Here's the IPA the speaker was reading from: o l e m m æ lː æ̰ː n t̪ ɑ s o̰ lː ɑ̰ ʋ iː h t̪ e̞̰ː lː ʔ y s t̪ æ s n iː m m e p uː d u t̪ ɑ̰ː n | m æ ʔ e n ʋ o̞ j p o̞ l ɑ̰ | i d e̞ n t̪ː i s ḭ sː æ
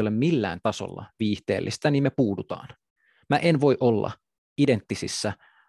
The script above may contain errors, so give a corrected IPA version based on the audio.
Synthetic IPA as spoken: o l e m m i lː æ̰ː n t̪ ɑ s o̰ lː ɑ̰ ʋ iː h t̪ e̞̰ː lː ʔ i s t̪ æ n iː m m e p uː d u t̪ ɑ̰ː n | m æ ʔ e n ʋ o̞ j ʔ o̞ lː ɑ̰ | i d e̞ n t̪ː i s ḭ sː æ